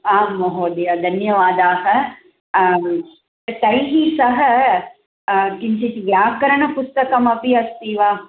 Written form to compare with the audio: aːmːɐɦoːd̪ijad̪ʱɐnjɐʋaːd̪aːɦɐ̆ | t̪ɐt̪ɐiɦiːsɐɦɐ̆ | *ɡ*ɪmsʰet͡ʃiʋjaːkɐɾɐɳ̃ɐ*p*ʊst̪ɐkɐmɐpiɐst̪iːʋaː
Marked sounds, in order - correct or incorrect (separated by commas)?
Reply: incorrect, correct